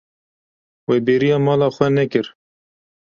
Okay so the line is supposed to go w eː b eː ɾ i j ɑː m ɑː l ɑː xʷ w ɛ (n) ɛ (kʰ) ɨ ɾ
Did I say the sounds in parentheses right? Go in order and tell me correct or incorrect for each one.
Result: correct, incorrect: k

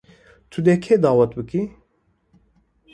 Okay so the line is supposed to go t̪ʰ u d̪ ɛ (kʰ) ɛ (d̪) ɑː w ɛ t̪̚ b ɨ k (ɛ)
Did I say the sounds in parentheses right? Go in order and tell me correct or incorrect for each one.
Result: correct, correct, incorrect: i

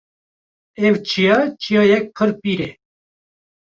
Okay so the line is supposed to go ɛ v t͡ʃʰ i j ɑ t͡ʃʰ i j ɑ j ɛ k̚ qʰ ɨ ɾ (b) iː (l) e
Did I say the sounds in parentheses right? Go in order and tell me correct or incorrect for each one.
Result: incorrect: p, incorrect: ɾ

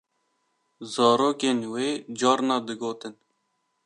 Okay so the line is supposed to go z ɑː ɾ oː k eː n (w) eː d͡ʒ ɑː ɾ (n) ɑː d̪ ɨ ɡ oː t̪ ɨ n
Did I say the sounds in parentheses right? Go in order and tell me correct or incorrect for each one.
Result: correct, correct

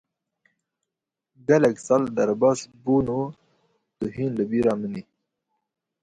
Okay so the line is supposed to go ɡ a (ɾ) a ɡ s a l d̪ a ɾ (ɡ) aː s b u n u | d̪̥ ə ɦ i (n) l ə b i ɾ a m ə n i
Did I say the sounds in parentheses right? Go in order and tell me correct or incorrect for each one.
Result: incorrect: l, incorrect: b, correct

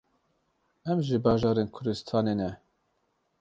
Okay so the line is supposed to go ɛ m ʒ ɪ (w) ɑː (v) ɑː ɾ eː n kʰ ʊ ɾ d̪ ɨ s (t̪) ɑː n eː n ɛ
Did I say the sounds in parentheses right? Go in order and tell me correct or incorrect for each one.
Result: incorrect: b, incorrect: ʒ, incorrect: t̪ʰ

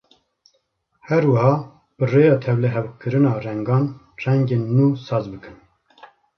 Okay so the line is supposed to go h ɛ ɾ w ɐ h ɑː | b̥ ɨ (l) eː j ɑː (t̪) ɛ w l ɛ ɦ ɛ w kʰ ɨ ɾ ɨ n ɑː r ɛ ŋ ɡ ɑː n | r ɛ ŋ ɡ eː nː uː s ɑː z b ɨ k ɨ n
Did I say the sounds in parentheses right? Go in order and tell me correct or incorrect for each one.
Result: incorrect: r, incorrect: t̪ʰ

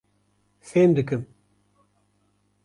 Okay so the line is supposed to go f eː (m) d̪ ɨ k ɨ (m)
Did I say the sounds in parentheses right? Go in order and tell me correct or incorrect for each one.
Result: correct, correct

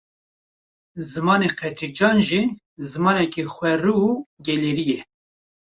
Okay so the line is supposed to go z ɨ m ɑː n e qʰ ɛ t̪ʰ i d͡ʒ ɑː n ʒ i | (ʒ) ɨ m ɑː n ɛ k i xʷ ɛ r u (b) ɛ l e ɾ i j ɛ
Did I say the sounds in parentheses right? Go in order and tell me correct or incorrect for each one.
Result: incorrect: z, incorrect: ɡ

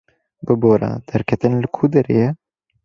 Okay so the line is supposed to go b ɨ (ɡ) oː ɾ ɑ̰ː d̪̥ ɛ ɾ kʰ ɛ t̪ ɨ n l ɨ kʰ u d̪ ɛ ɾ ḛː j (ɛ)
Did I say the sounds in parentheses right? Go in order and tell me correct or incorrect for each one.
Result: incorrect: b, correct

